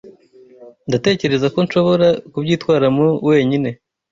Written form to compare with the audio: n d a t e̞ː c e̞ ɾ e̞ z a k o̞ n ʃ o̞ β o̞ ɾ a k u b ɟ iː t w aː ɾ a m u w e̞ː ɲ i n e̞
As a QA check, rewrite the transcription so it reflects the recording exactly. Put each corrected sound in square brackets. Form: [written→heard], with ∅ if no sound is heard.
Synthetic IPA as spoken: n d a t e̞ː c e̞ ɾ e̞ z a k o̞ n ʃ o̞ β o̞ ɾ a k u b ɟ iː t w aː ɾ a m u w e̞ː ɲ i n e̞